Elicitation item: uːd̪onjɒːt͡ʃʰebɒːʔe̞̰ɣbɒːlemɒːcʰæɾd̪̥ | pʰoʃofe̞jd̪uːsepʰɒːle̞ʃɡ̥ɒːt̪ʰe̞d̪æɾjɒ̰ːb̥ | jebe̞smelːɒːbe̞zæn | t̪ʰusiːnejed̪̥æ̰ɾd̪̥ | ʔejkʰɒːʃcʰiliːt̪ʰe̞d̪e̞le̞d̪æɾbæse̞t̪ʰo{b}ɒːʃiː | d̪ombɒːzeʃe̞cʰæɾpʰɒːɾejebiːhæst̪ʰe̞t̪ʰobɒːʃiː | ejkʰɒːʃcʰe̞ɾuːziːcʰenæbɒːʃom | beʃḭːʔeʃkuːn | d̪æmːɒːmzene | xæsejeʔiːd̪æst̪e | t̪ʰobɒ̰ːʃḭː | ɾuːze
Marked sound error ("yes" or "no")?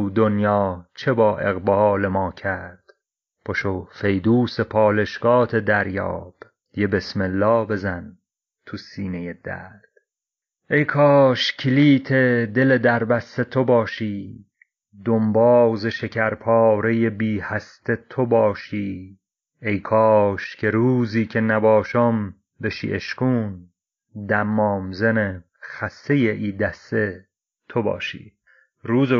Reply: no